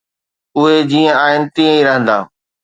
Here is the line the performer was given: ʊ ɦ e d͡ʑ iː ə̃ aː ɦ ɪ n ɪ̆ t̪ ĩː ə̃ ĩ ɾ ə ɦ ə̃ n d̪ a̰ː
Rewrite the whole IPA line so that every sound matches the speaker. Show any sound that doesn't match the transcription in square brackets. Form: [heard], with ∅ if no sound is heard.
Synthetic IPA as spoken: ʊ ɦ e d͡ʑ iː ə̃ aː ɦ ɪ n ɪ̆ t̪ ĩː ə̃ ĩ ɾ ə ɦ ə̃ n d̪ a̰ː